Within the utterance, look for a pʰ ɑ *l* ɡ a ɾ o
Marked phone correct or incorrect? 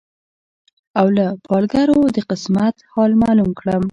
correct